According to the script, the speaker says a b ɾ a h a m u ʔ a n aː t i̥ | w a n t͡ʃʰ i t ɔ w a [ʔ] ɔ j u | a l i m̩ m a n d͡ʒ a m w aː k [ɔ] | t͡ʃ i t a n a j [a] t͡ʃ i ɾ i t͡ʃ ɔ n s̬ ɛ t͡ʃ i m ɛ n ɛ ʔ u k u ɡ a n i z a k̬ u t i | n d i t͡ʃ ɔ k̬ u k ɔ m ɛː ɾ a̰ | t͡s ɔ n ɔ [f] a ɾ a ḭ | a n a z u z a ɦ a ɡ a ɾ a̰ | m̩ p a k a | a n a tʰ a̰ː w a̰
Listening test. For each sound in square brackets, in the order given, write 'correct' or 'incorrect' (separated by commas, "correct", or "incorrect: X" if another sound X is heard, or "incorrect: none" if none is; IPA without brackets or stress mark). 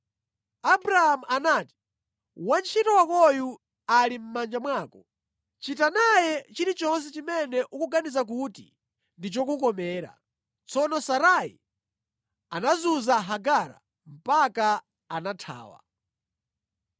incorrect: k, correct, incorrect: ɛ, incorrect: s